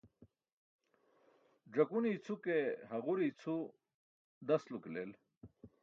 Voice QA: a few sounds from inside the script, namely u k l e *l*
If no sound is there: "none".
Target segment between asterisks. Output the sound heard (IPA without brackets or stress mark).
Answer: l